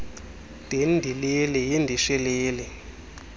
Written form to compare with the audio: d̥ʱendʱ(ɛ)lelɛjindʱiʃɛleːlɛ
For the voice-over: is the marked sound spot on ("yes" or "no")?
no